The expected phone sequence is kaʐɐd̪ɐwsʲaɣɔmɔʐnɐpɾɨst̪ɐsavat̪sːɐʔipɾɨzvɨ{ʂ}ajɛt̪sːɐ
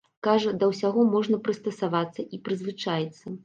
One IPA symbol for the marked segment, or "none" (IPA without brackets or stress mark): t͡ʂ